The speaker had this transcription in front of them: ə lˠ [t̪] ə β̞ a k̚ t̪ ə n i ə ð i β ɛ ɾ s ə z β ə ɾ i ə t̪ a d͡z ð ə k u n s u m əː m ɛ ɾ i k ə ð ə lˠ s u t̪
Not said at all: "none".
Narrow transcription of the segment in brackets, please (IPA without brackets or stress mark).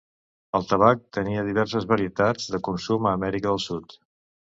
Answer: t̪